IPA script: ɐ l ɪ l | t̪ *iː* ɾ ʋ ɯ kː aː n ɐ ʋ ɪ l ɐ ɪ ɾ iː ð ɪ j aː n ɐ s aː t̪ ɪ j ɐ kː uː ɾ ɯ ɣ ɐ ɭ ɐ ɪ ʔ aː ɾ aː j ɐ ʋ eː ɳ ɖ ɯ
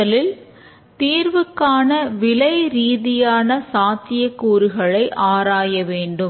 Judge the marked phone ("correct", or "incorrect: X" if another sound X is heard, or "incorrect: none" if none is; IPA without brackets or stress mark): correct